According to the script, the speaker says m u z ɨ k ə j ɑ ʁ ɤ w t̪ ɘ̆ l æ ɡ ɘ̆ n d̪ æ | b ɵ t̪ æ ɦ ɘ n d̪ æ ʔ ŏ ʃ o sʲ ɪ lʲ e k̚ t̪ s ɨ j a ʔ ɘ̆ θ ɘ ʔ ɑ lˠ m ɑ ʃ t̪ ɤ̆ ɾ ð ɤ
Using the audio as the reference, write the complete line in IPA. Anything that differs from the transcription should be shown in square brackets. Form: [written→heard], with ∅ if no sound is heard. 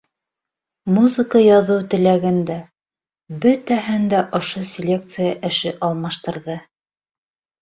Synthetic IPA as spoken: m u z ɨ k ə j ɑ [ʁ→ð] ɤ w t̪ ɘ̆ l æ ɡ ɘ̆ n d̪ æ | b ɵ t̪ æ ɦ ɘ n d̪ æ ʔ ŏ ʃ o sʲ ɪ lʲ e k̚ t̪ s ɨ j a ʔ ɘ̆ [θ→ʃ] ɘ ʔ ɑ lˠ m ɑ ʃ t̪ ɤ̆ ɾ ð ɤ